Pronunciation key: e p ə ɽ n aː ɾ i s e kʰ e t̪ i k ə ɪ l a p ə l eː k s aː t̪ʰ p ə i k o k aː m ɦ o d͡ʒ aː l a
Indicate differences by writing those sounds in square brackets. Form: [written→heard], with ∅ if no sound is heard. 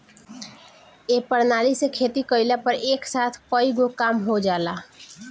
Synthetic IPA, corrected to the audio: e p ə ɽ n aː [ɾ→l] i s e kʰ e t̪ i k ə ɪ l a p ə [l→ɾ] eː k s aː t̪ʰ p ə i [k→ɡ] o k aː m ɦ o d͡ʒ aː l a